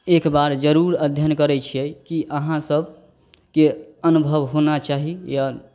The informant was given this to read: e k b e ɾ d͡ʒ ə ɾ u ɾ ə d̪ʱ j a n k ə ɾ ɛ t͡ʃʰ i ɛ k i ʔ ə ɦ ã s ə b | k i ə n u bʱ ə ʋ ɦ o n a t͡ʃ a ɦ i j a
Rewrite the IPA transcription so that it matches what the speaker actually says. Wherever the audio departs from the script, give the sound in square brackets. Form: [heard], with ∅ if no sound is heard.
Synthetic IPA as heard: e k b [a] ɾ d͡ʒ ə ɾ u ɾ ə d̪ʱ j [ə] n k ə ɾ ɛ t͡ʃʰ i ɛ k i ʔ ə ɦ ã s ə b | k [e] ə n u bʱ ə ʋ ɦ o n a t͡ʃ a ɦ i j a